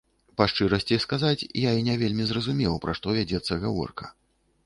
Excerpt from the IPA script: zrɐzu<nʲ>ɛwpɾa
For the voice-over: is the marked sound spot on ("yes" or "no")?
no